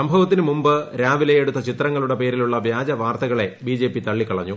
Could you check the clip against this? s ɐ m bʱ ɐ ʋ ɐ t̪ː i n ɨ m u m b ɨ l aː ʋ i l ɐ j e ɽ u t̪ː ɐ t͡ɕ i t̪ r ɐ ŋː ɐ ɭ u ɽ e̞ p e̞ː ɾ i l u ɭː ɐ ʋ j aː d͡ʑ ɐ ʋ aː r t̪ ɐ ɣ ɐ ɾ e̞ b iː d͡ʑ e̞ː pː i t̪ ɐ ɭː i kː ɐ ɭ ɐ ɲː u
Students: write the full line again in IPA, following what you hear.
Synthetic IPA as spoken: s ɐ m bʱ ɐ ʋ ɐ t̪ː i n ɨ m u m b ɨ ɾ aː ʋ i l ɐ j e ɽ u t̪ː ɐ t͡ɕ i t̪ r ɐ ŋː ɐ ɭ u ɽ e̞ p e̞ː ɾ i l u ɭː ɐ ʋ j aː d͡ʑ ɐ ʋ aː r t̪ ɐ ɣ ɐ ɭ e̞ b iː d͡ʑ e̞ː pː i t̪ ɐ ɭː i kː ɐ ɭ ɐ ɲː u